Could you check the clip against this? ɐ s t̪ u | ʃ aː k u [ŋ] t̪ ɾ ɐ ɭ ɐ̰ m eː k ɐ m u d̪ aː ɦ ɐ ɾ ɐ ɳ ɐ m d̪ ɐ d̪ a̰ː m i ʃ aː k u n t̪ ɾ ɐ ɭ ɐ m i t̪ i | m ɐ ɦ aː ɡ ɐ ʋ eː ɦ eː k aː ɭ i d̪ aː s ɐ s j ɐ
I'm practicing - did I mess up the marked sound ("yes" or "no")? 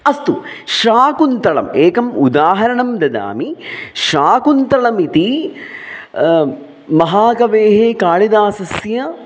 yes